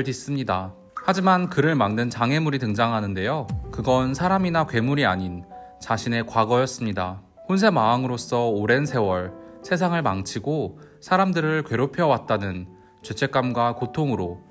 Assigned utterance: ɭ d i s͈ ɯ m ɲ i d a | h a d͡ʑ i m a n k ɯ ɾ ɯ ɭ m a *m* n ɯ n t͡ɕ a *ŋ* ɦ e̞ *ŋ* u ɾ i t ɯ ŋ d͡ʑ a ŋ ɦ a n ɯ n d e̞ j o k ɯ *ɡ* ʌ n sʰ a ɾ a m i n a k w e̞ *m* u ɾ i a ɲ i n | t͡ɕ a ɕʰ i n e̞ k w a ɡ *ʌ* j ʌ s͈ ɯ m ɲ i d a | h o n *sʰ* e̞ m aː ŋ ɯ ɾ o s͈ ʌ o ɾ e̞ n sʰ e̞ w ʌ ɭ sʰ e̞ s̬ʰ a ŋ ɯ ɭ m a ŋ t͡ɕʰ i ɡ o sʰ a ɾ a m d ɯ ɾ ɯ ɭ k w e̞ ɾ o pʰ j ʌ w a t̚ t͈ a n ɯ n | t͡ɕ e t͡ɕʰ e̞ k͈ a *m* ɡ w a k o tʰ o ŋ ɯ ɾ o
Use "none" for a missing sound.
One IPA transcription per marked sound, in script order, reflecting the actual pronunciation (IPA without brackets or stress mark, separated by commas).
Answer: ŋ, ŋ, m, ɡ, m, ʌ, sʰ, m